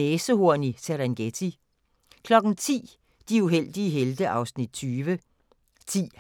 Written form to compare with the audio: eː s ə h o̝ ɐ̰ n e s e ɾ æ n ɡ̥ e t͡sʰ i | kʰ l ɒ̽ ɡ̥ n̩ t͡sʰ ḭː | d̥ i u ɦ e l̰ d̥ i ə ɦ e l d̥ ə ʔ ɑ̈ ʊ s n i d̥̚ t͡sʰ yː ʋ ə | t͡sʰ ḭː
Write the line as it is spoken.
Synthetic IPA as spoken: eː s ə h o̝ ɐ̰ n i s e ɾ æ n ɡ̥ e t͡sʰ i | kʰ l ɒ̽ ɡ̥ n̩ t͡sʰ ḭː | d̥ i u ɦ e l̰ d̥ i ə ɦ e l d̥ ə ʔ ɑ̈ ʊ s n i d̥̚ t͡sʰ yː ʋ ə | t͡sʰ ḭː